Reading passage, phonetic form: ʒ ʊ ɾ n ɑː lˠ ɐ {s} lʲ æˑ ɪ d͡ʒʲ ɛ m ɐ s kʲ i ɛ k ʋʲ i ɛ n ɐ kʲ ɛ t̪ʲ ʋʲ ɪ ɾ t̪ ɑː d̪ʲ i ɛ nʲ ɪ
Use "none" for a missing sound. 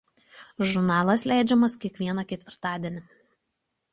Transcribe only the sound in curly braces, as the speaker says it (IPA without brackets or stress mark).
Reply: s